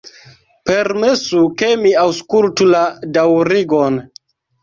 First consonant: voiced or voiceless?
voiceless